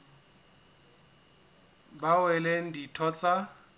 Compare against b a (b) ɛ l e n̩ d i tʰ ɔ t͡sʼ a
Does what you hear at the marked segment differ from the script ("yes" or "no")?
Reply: yes